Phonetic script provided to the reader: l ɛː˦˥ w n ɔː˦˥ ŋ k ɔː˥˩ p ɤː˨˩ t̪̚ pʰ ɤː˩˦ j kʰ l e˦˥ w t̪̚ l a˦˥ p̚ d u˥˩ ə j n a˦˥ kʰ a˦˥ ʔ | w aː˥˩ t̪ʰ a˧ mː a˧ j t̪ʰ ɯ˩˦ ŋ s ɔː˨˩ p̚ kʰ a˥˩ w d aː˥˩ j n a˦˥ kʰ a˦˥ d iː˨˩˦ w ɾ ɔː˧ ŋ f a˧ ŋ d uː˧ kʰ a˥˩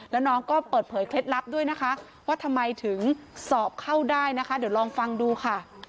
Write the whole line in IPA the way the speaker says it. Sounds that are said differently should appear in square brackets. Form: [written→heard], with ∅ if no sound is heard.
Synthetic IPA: l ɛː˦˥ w n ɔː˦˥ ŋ k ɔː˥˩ p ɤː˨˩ t̪̚ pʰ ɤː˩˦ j kʰ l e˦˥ [w→∅] t̪̚ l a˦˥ p̚ d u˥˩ ə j n a˦˥ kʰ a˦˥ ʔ | w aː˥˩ t̪ʰ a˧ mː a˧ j t̪ʰ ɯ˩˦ ŋ s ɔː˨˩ p̚ kʰ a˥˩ w d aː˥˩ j n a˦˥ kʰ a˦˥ d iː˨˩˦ w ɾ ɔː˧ ŋ f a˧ ŋ d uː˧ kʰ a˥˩